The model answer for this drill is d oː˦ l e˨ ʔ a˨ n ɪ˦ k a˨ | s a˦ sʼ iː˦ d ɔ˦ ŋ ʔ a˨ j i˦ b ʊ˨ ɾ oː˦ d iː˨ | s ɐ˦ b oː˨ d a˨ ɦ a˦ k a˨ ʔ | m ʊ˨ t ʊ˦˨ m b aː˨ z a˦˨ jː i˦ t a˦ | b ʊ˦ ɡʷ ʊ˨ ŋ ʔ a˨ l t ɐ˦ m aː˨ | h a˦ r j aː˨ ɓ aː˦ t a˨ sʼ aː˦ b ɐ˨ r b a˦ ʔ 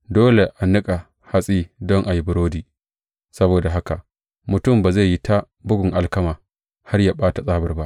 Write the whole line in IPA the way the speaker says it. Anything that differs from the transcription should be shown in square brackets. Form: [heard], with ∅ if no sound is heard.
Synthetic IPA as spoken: d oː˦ l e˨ ʔ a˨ n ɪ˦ [kʼ] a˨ | [h] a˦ sʼ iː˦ d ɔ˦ ŋ ʔ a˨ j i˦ b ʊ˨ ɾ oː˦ d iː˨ | s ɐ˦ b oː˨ d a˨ ɦ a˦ k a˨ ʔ | m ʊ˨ t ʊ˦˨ m b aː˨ z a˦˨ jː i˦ t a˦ | b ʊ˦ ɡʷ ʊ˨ ŋ ʔ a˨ l [k] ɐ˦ m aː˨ | h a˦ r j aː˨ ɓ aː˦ t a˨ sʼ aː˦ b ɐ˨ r b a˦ ʔ